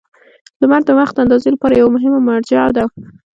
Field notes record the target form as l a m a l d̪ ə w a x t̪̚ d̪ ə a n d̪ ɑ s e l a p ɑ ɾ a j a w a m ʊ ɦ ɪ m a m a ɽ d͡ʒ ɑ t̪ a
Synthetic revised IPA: l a m a ɾ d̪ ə w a x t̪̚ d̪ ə a n d̪ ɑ z e l a p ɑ ɾ a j a w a m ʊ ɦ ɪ m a m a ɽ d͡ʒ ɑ d̪ a